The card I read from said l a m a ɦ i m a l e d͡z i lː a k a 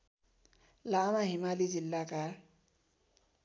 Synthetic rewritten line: l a m a ɦ i m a l i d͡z i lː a k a